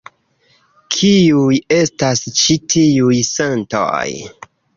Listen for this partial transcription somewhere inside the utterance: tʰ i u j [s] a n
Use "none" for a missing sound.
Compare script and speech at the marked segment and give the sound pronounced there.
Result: s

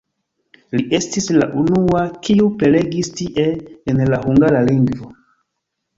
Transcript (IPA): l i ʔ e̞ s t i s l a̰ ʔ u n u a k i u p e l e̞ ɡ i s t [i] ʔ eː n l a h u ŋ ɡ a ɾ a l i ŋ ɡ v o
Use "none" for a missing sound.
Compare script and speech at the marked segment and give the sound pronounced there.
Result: i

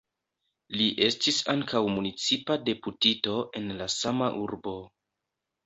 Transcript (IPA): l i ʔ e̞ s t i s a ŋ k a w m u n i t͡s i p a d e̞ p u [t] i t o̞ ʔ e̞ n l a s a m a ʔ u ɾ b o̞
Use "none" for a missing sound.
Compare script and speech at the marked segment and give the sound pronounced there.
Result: t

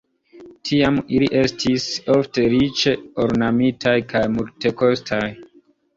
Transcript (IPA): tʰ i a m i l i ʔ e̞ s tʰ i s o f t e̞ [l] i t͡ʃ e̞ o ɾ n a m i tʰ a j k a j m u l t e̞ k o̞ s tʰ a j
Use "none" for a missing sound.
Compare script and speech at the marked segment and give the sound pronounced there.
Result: ɾ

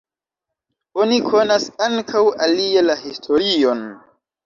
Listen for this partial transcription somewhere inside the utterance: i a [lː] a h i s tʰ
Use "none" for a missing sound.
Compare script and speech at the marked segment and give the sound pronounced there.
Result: l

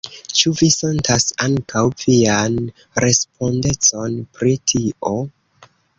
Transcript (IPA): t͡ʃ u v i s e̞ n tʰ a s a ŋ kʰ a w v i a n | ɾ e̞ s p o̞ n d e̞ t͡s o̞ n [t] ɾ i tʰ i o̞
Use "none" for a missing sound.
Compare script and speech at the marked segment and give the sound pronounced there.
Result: p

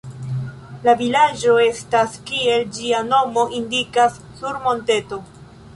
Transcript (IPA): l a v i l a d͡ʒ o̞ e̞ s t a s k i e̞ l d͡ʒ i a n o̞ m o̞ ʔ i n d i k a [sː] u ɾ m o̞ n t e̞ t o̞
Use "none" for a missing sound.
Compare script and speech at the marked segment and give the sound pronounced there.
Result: sː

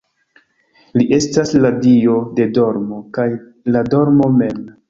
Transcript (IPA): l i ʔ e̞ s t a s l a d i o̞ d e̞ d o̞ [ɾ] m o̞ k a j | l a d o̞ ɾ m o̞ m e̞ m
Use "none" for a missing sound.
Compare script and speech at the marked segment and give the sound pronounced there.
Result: ɾ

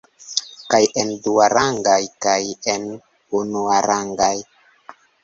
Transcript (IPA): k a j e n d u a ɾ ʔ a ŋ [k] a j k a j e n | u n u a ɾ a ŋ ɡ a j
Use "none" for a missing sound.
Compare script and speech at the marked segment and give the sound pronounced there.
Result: ɡ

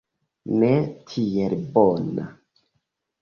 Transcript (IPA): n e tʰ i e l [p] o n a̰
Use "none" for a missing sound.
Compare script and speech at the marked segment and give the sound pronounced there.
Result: b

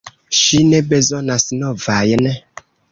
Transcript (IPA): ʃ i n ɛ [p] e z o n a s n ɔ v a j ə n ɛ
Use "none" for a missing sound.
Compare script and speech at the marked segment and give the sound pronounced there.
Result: b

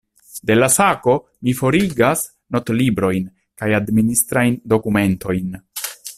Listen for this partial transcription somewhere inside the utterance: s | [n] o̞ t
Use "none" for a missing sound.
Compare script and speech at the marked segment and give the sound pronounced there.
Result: n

